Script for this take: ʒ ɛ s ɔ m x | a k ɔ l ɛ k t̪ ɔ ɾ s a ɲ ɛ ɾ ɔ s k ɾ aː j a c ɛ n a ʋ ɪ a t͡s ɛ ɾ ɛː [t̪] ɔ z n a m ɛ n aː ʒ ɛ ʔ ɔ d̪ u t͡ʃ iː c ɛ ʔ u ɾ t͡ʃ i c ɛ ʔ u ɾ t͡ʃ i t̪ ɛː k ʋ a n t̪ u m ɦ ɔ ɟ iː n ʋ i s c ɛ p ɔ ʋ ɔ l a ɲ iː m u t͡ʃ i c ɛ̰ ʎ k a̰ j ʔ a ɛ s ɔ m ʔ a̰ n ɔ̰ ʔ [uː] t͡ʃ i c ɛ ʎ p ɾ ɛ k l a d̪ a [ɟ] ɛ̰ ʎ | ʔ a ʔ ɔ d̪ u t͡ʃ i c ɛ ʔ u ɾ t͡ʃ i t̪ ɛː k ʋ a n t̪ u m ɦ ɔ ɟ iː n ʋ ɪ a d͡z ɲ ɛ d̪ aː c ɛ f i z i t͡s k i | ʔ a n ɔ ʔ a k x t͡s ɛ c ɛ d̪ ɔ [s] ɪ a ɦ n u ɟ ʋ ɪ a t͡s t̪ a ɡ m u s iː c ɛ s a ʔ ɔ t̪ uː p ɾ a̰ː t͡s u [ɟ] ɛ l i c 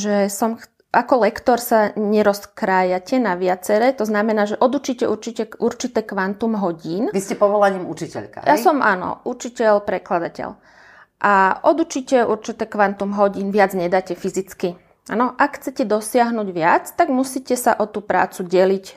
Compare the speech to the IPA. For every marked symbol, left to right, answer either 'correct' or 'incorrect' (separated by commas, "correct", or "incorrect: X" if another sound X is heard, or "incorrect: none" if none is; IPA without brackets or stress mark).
correct, incorrect: u, incorrect: c, correct, correct